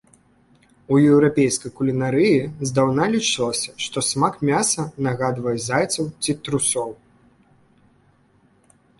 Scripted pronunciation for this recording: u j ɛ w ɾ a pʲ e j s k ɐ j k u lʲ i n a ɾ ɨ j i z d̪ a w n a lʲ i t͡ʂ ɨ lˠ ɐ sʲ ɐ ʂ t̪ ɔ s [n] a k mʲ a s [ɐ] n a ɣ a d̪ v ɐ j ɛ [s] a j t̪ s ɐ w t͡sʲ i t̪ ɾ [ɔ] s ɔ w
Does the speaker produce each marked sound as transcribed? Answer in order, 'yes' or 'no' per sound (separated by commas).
no, yes, no, no